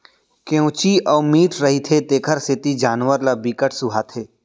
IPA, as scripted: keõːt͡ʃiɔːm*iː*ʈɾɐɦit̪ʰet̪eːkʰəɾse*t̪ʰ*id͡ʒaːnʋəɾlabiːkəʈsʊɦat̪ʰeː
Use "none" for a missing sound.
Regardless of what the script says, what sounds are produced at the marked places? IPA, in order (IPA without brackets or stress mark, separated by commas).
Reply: iː, t̪